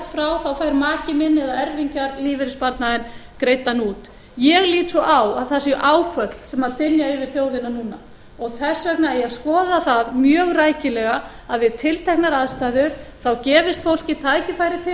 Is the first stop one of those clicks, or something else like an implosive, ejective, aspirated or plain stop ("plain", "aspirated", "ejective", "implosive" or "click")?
plain